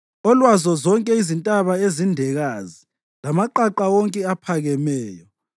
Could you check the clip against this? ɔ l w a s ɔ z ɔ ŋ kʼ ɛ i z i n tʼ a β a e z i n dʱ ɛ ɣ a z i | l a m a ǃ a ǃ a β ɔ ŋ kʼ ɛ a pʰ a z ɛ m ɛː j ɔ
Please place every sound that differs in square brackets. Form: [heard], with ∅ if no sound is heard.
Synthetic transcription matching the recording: ɔ l w a [z] ɔ z ɔ ŋ kʼ ɛ i z i n tʼ a β a e z i n dʱ ɛ ɣ a z i | l a m a ǃ a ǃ a [w] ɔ ŋ kʼ ɛ a pʰ a [ɣ] ɛ m ɛː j ɔ